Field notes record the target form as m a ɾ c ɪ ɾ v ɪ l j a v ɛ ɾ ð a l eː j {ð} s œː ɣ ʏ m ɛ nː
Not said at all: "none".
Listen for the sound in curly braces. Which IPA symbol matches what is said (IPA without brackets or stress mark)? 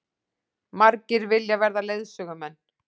ð